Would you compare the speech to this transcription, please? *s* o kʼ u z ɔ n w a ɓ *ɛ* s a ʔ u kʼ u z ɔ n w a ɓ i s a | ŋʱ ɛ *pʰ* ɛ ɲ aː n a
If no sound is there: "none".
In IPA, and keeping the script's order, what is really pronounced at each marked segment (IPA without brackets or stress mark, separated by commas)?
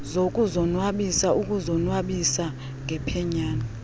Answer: z, i, pʰ